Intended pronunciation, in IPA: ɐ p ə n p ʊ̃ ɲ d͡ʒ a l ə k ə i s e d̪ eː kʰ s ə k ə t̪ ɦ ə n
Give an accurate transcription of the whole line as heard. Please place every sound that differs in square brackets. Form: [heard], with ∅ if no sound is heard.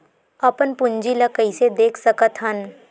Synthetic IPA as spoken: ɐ p ə n p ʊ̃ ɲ d͡ʒ [i] l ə k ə i s e d̪ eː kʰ s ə k ə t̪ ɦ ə n